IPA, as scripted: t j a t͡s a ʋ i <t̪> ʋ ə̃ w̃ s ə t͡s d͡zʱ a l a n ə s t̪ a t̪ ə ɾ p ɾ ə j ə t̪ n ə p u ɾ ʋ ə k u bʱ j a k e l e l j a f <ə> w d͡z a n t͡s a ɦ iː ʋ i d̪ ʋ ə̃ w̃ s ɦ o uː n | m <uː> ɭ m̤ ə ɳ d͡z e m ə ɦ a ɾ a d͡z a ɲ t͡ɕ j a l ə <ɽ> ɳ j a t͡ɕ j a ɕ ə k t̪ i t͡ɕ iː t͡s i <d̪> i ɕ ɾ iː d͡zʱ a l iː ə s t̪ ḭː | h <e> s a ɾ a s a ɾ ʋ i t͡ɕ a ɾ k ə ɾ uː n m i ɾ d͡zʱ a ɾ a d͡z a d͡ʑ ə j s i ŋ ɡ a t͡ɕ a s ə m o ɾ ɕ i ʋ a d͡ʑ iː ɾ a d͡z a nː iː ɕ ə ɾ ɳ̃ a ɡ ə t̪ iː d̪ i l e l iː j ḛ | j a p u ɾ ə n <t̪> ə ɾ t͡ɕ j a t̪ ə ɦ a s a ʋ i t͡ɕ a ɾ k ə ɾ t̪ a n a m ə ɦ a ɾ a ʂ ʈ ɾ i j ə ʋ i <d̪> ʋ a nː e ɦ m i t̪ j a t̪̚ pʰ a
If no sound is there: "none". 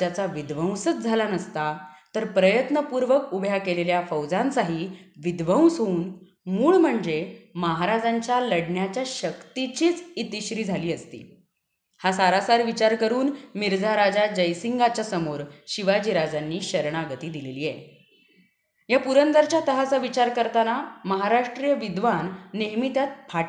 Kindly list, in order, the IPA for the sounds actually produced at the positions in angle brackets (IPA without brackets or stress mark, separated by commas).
d̪, ə, uː, ɽ, t̪, a, d̪, d̪